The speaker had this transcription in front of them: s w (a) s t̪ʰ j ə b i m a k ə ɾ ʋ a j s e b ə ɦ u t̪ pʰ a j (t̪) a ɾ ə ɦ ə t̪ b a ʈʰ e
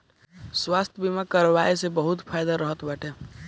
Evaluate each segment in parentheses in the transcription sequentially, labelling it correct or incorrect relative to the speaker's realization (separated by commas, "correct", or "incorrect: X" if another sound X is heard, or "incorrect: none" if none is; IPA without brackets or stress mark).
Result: correct, incorrect: d̪